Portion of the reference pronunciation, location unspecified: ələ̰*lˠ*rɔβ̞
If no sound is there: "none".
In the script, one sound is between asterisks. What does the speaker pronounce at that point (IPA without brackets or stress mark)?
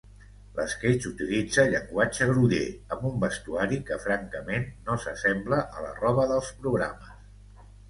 none